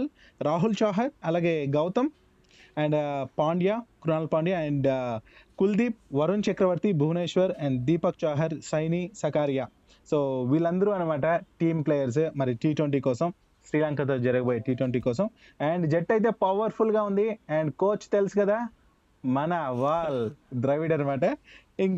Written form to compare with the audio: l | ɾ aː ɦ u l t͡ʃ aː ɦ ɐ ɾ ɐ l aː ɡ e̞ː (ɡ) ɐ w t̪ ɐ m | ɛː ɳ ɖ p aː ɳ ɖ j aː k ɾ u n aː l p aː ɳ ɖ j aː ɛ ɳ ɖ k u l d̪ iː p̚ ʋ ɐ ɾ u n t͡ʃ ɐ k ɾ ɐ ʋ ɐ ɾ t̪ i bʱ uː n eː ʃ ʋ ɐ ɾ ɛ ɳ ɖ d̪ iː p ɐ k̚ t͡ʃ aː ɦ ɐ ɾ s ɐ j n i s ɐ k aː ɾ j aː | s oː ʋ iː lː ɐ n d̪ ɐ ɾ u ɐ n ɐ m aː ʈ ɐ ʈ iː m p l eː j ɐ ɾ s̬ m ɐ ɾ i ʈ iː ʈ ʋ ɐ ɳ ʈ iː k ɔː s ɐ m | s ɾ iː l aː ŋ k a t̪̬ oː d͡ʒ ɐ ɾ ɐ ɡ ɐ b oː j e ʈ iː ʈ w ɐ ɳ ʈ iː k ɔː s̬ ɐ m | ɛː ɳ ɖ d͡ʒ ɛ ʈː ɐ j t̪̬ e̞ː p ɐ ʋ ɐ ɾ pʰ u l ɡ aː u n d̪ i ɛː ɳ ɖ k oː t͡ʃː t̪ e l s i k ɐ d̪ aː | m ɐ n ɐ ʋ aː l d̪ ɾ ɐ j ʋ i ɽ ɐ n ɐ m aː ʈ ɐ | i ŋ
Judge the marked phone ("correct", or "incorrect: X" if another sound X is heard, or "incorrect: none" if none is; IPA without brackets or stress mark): correct